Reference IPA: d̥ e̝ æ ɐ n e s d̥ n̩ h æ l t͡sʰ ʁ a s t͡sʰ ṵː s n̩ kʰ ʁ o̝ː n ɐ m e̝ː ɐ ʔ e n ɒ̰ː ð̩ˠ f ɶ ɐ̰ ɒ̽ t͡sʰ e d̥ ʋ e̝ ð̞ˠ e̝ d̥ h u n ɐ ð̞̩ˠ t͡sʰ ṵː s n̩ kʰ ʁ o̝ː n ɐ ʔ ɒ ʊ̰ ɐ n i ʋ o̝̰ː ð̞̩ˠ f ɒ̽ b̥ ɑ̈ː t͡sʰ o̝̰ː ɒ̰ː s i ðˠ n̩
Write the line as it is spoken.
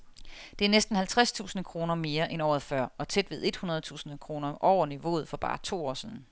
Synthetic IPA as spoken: d̥ e̝ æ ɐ n e s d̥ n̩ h æ l t͡sʰ ʁ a s t͡sʰ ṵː s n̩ kʰ ʁ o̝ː n ɐ m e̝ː ɐ ʔ e n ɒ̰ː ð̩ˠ f ɶ ɐ̰ ɒ̽ t͡sʰ e d̥ ʋ e̝ ð̞ˠ e̝ d̥ h u n ɐ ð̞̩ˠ t͡sʰ ṵː s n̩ kʰ ʁ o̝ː n ɐ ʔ ɒ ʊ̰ ɐ n i ʋ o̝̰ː ð̞̩ˠ f ɒ̽ b̥ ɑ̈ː t͡sʰ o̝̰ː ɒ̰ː s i ðˠ n̩